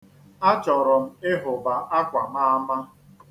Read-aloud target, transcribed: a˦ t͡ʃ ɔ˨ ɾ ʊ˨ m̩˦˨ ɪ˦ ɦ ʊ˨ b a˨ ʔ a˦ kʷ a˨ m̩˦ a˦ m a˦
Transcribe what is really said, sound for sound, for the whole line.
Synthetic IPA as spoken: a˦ t͡ʃ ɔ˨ ɾ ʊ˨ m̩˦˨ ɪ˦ ɦ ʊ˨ b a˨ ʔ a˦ kʷ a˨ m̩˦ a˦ m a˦

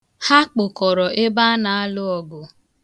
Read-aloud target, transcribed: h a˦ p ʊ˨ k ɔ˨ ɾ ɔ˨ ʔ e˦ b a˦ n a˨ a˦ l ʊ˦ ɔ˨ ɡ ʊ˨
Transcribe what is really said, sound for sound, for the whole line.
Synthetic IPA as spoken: h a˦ k͡p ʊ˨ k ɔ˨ ɾ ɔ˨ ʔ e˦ b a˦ n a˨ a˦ l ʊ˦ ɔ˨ ɡ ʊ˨

